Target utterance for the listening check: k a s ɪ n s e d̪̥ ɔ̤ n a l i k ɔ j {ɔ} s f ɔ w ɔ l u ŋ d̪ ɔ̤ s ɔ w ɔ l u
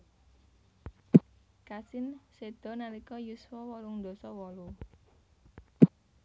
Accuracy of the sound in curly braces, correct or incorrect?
incorrect